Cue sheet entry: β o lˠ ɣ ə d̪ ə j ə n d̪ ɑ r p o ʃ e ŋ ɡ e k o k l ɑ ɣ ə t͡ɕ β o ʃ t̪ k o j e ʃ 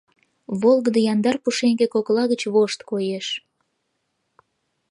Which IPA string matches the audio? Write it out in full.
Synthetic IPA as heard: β o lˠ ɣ ə d̪ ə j ɑ n d̪ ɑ r p u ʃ e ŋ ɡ e k o k l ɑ ɣ ə t͡ɕ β o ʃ t̪ k o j e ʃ